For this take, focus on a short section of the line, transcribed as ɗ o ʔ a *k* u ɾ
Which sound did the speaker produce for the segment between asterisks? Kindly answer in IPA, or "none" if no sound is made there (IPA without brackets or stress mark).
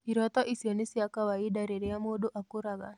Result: k